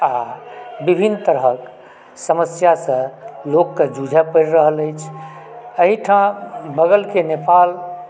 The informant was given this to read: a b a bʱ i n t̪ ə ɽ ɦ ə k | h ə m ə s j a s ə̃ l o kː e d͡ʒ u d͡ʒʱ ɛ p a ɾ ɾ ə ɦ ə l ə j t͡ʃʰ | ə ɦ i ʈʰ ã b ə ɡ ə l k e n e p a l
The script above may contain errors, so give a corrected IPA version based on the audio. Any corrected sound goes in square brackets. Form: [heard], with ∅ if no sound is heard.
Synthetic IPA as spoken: a b [i] bʱ i n t̪ ə [ɾ] ɦ ə k | [s] ə m ə s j a s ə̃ l o kː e d͡ʒ u d͡ʒʱ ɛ p [ə] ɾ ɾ ə ɦ ə l ə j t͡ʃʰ | ə ɦ i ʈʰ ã b ə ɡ ə l k e n e p a l